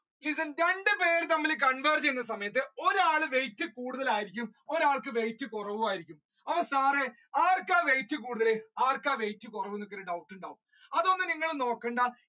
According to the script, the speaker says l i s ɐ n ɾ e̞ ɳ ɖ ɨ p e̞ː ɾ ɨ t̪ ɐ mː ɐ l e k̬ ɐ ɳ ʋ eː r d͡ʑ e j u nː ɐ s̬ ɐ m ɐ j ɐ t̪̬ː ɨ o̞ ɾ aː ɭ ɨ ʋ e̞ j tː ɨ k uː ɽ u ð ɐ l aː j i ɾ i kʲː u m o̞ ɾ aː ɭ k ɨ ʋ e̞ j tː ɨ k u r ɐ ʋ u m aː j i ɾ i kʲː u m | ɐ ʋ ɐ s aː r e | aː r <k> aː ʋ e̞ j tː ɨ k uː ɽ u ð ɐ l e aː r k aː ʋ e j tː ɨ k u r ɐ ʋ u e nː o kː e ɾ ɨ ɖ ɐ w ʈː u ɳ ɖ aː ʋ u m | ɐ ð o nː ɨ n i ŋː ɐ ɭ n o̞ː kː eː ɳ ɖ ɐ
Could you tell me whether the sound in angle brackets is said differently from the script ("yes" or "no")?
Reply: no